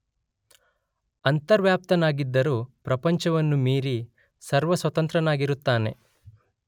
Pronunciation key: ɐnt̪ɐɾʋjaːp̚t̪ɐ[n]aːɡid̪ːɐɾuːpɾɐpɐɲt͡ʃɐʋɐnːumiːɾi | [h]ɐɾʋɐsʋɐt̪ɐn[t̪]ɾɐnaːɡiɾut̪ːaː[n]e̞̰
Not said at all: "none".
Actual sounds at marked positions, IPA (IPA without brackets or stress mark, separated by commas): n, s, t̪, n